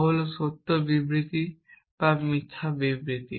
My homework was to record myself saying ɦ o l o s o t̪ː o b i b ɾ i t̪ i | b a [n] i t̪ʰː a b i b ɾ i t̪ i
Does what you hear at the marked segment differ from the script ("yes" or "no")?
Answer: yes